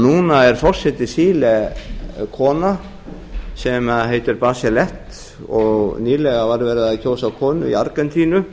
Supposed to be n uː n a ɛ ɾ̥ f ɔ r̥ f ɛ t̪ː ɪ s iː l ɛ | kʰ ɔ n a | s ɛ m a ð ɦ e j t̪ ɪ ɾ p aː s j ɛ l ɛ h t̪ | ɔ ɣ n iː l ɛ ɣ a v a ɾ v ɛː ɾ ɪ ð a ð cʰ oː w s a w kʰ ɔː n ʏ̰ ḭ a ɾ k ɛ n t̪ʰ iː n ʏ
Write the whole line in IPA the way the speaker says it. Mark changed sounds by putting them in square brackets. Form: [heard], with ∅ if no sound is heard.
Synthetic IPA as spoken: n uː n a ɛ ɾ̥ f ɔ r̥ [s] ɛ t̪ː ɪ s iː l ɛ | kʰ [ɔː] n a | s ɛ m a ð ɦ e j t̪ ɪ ɾ p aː s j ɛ l ɛ h t̪ | ɔ ɣ n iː l ɛ ɣ a v a ɾ v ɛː ɾ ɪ ð a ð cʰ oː w s a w kʰ ɔː n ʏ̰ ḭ a ɾ k ɛ n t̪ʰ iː n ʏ